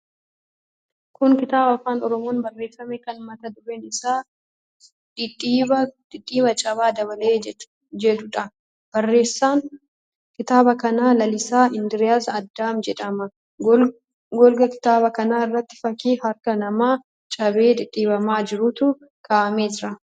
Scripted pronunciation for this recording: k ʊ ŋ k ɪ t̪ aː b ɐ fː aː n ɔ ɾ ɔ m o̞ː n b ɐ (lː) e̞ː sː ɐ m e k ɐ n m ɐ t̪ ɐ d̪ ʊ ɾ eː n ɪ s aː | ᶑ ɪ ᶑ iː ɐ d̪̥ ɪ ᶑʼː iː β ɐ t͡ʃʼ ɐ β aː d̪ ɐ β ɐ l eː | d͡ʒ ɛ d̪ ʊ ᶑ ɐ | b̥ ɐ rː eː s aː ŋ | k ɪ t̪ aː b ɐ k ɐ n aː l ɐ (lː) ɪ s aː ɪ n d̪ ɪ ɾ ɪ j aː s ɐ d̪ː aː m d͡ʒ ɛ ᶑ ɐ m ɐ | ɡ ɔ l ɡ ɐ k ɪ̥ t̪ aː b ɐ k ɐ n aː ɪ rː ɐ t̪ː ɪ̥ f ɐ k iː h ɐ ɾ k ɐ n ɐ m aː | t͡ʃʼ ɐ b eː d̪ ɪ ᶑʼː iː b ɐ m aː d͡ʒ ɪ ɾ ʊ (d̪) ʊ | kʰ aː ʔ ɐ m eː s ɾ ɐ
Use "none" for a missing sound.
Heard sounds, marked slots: rː, l, t̪

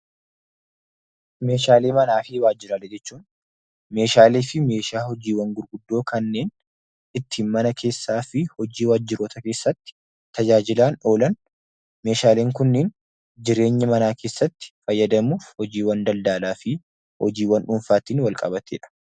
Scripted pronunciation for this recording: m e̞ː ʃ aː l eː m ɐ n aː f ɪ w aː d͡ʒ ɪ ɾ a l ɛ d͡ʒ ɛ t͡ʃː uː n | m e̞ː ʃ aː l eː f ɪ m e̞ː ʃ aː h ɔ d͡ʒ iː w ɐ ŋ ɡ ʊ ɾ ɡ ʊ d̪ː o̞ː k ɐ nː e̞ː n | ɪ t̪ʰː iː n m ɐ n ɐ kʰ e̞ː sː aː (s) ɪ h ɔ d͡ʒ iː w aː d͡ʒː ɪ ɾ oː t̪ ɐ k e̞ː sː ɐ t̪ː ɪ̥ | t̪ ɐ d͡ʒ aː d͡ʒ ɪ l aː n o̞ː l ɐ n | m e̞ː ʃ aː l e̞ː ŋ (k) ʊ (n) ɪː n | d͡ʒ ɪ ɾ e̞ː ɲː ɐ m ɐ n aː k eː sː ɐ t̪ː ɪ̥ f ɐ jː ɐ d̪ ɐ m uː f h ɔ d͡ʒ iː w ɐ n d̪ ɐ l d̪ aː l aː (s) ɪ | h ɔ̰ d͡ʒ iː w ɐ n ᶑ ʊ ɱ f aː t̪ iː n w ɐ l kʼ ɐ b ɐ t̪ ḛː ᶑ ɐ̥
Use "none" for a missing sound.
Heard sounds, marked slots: f, k, nː, f

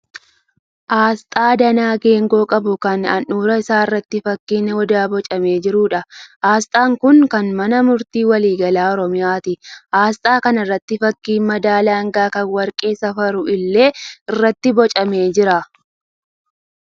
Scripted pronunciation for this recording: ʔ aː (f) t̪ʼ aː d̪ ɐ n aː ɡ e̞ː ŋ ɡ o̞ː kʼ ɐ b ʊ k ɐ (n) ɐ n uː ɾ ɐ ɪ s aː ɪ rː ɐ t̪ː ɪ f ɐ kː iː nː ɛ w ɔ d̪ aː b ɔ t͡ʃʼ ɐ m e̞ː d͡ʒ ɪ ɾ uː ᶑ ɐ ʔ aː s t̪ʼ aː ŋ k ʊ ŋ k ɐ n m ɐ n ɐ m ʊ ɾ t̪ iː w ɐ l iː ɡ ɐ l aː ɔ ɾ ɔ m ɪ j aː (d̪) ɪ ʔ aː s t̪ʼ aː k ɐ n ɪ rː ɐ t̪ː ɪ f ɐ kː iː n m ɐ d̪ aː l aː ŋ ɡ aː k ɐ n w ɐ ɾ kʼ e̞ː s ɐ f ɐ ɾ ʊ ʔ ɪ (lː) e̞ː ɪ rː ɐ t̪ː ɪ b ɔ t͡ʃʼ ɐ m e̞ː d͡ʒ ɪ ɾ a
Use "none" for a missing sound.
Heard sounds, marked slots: s, n, t̪, lː

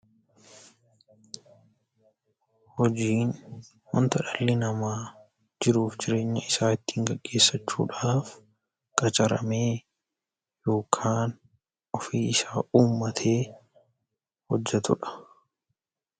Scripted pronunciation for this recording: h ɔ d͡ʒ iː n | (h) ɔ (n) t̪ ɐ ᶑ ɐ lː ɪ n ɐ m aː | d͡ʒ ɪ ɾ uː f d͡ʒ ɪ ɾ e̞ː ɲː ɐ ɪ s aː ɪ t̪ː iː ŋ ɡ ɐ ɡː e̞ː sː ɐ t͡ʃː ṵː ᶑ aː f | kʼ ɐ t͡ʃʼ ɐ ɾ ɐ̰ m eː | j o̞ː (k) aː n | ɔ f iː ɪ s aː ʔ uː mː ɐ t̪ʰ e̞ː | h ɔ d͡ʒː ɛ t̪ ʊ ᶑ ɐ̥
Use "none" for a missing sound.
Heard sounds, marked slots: h, n, kʰ

